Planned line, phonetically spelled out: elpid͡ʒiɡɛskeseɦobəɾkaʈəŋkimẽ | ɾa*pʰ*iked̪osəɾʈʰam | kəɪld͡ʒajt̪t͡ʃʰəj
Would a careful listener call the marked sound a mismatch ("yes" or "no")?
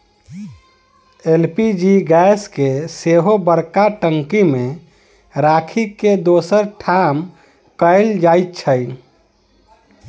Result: yes